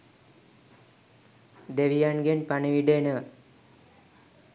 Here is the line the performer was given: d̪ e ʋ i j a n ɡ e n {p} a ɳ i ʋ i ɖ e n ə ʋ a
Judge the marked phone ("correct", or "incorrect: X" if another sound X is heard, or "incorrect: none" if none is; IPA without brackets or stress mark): correct